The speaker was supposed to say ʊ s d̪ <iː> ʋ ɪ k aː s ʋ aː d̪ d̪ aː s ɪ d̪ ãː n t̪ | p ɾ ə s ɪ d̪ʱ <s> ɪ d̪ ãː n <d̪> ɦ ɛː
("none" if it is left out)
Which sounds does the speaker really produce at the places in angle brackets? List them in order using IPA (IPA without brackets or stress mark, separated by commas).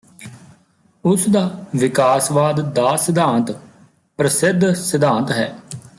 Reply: aː, s, t̪